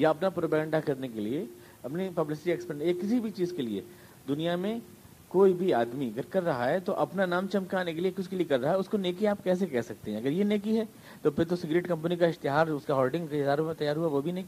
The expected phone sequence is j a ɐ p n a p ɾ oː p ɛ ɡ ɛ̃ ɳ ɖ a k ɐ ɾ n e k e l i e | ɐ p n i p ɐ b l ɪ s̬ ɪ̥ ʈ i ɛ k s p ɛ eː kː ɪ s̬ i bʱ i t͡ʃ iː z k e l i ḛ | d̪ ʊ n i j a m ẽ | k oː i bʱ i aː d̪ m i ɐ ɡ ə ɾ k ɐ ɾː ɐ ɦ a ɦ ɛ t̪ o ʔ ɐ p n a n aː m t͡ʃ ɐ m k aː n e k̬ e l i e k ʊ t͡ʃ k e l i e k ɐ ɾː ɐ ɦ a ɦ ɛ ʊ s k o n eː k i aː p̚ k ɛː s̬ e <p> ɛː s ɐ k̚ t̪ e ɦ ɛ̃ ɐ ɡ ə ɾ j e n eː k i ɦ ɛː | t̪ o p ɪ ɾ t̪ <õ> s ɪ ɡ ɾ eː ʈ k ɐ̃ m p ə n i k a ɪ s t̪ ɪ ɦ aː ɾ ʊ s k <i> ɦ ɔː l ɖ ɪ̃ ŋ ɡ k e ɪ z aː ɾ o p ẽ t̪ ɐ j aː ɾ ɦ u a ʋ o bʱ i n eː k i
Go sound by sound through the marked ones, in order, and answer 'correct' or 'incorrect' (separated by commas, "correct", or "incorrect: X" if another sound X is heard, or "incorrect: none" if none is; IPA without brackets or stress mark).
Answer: incorrect: k, incorrect: o, incorrect: a